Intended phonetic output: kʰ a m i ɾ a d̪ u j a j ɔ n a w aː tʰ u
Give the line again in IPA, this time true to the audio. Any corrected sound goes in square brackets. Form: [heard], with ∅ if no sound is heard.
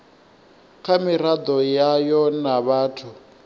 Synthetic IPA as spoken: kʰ a m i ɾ a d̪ [ɔ] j a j ɔ n a [β] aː tʰ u

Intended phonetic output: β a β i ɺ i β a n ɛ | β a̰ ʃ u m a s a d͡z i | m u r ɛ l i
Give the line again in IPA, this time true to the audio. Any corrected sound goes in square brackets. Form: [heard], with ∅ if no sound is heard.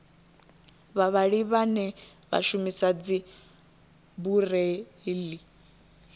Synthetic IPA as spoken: β a β [a] ɺ i β a n ɛ | β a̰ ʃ u m [i] s a d͡z i | [b] u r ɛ l i

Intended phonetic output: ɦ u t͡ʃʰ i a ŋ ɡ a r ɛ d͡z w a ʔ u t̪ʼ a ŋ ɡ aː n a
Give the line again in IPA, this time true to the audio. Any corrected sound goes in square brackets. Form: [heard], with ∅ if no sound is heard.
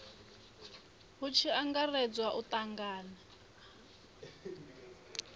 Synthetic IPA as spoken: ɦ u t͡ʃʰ i a ŋ ɡ a r ɛ d͡z w a ʔ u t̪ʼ a ŋ ɡ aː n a

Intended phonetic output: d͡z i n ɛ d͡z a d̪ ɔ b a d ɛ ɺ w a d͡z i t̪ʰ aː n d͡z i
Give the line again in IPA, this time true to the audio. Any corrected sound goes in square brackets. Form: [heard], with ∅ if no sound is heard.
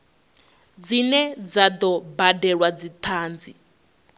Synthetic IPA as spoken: d͡z i n ɛ d͡z a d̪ ɔ b a d ɛ ɺ w a d͡z i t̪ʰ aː n d͡z i

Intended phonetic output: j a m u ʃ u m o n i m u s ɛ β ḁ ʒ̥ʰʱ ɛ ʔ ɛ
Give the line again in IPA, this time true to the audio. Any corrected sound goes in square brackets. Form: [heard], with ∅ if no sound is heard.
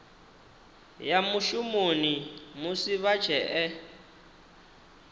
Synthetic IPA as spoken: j a m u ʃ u m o n i m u s [i] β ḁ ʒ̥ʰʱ ɛ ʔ ɛ

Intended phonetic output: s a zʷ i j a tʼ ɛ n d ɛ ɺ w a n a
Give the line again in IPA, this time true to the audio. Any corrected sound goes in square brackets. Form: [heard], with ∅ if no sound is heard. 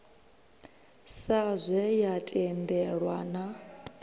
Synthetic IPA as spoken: s a zʷ [ɛ] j a tʼ ɛ n d ɛ ɺ w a n a

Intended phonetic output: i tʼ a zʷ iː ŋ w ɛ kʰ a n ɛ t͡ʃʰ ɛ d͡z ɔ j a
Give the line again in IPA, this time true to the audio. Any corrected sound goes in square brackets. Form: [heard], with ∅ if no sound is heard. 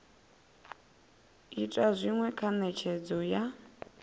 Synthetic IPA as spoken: i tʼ a zʷ [i] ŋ w ɛ kʰ a n ɛ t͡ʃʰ ɛ d͡z ɔ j a

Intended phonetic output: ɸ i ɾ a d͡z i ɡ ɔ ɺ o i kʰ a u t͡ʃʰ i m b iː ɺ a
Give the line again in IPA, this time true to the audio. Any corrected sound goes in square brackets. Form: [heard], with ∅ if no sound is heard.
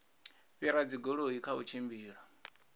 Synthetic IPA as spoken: ɸ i ɾ a d͡z i ɡ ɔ ɺ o i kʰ a u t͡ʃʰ i m b iː ɺ a

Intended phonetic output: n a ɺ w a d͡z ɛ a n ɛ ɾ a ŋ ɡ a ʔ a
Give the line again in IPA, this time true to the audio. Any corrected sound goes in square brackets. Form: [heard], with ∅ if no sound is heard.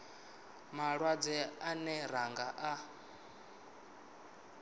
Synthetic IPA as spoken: [m] a ɺ w a d͡z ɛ a n ɛ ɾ a ŋ ɡ a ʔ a

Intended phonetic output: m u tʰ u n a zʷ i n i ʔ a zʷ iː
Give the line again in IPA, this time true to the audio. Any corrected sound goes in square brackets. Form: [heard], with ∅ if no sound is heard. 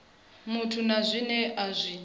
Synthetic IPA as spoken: m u tʰ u n a zʷ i n [ɛ] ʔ a zʷ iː

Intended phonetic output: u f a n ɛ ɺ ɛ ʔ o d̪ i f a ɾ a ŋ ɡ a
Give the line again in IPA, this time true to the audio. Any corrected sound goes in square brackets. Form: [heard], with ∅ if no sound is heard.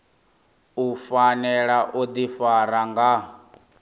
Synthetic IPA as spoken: u f a n ɛ ɺ [a] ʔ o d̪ i f a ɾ a ŋ ɡ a

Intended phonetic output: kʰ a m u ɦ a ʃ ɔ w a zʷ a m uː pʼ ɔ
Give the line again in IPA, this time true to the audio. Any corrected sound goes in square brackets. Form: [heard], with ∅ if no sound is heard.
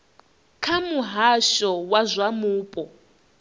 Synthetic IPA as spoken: kʰ a m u ɦ a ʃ ɔ w a zʷ a m uː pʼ ɔ

